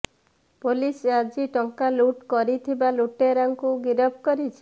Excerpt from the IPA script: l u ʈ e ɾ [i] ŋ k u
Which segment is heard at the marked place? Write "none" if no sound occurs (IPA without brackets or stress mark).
a